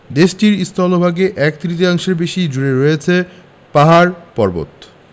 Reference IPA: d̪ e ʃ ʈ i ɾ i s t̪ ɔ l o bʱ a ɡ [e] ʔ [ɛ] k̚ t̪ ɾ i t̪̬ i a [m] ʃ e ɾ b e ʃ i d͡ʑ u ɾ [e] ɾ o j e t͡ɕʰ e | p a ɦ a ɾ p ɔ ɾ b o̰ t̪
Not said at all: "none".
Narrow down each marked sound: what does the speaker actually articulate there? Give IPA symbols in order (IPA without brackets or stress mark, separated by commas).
e, ɛ, ŋ, e